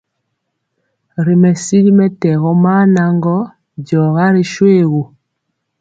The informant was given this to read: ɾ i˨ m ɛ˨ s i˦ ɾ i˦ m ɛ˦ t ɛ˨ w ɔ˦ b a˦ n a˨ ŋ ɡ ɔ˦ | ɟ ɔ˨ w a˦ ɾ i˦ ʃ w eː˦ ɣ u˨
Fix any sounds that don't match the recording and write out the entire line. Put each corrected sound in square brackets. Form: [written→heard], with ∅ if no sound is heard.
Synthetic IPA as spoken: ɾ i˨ m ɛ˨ s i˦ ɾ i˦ m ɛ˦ t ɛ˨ [w→ɣ] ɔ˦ [b→m] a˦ n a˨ ŋ ɡ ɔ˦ | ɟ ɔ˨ [w→ɣ] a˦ ɾ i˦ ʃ w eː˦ ɣ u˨